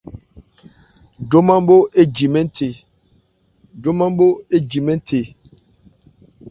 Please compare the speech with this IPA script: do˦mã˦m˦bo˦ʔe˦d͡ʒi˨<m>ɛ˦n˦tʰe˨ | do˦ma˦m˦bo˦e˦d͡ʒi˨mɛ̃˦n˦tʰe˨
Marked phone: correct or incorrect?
correct